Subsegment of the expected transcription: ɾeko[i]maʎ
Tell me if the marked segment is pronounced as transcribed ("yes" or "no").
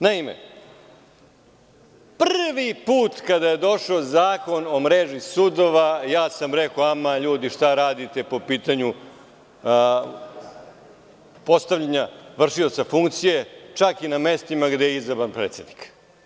no